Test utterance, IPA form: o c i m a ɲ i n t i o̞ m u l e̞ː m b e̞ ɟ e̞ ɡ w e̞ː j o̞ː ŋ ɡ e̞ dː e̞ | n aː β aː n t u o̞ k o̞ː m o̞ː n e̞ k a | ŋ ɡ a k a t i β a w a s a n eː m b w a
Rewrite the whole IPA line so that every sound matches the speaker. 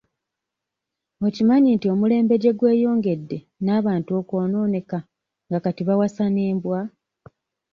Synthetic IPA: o c i m a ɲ i n t i o̞ m u l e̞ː m b e̞ ɟ e̞ ɡ w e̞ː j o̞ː ŋ ɡ e̞ dː e̞ | n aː β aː n t u o̞ k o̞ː n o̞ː n e̞ k a | ŋ ɡ a k a t i β a w a s a n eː m b w a